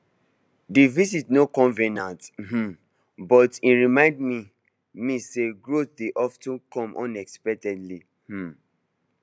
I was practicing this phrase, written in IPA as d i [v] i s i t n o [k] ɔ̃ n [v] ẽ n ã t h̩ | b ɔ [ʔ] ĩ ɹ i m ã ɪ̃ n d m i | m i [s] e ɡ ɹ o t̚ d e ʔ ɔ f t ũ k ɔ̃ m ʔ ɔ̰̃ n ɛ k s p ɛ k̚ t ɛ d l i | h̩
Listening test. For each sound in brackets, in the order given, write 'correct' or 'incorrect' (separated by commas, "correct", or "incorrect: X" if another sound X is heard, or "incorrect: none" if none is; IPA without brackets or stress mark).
correct, correct, correct, incorrect: t, correct